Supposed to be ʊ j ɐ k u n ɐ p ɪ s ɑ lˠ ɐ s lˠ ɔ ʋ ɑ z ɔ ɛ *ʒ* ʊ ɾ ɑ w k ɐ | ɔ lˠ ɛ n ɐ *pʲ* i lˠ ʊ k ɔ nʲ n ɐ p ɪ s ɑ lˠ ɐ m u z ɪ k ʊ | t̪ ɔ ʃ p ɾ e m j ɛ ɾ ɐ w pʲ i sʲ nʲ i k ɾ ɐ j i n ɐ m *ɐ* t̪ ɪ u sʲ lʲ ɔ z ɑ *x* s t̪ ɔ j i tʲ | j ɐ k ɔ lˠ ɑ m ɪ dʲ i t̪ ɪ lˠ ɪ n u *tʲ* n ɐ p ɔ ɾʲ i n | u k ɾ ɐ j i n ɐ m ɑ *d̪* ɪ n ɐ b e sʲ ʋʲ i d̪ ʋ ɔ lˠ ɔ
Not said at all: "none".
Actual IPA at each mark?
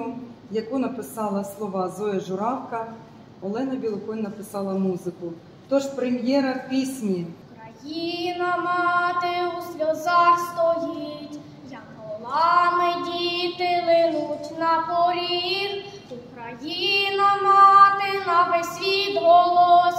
ʒ, bʲ, ɑ, x, tʲ, t̪

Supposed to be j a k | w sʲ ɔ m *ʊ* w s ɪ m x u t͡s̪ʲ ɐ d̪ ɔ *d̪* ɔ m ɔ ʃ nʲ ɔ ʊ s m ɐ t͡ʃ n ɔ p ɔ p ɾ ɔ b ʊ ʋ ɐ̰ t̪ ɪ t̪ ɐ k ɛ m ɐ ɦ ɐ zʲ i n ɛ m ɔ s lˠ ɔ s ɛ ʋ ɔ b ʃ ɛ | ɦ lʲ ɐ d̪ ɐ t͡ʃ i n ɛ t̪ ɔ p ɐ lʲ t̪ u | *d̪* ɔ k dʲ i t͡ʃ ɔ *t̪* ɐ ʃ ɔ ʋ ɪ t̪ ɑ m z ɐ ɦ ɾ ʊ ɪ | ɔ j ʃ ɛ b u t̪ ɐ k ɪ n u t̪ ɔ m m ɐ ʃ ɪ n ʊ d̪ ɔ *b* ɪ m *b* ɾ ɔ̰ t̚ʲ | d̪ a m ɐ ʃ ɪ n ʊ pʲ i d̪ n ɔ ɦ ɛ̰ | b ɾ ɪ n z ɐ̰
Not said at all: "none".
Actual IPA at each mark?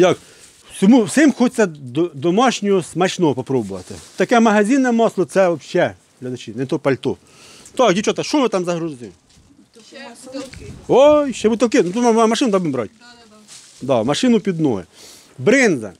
u, d̪, t̪, t̪, b, b

